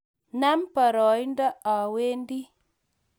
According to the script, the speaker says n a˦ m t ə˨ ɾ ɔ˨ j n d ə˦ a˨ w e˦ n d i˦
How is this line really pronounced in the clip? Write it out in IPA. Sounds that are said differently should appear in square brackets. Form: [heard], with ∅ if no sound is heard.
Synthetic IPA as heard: n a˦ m [p] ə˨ ɾ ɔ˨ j n d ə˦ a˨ w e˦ n d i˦